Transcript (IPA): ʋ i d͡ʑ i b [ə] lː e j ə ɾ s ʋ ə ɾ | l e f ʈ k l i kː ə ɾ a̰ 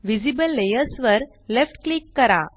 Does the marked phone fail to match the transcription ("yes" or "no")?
no